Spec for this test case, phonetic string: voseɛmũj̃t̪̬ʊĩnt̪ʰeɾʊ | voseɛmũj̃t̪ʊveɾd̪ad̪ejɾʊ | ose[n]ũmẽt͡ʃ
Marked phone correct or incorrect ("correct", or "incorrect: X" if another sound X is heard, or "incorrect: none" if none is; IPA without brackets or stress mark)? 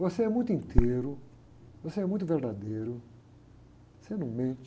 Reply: correct